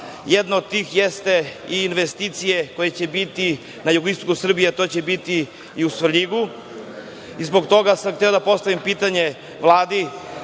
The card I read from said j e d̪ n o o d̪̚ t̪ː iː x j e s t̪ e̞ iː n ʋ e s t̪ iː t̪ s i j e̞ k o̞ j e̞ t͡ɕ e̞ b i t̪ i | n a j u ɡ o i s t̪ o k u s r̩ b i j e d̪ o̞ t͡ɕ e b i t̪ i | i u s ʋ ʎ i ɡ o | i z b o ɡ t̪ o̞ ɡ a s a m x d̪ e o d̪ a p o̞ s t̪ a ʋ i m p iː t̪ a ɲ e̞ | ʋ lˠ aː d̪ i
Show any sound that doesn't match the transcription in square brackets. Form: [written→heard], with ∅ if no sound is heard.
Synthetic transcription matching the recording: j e d̪ n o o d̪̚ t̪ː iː x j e s t̪ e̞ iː n ʋ e s t̪ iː t̪ s i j e̞ k o̞ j e̞ t͡ɕ e̞ b i t̪ i | n a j u ɡ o i s t̪ o k u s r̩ b i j e [d̪→t̪] o̞ t͡ɕ e b i t̪ i | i u s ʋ ʎ i ɡ [o→u] | i z b o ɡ t̪ o̞ ɡ a s a m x [d̪→t̪] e o d̪ a p o̞ s t̪ a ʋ i m p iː t̪ a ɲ e̞ | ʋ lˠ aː d̪ i